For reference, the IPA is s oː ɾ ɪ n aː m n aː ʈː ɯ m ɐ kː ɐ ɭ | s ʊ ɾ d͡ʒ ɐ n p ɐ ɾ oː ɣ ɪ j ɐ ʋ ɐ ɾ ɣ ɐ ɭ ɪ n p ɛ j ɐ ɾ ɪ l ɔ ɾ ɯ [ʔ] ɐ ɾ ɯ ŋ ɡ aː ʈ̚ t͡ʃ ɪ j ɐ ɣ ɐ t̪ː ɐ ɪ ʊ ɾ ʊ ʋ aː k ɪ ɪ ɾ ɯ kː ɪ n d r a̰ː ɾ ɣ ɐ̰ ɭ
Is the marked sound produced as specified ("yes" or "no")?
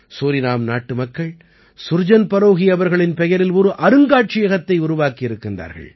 yes